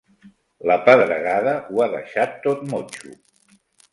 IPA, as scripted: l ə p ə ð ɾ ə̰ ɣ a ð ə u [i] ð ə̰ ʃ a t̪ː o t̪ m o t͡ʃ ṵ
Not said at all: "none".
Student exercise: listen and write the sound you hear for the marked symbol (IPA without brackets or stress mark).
a